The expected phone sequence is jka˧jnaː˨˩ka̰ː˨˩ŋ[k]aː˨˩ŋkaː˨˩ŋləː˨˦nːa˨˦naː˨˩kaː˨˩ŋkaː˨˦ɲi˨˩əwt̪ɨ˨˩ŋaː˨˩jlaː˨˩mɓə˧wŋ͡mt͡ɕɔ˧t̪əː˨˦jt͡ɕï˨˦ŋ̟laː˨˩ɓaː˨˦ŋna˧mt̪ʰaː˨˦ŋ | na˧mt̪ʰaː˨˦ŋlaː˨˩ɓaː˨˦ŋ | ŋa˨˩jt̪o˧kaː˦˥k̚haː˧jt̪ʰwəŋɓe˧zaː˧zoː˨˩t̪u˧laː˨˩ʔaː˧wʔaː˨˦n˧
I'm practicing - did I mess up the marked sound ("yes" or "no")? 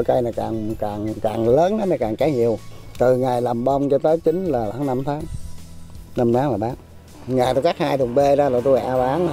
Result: no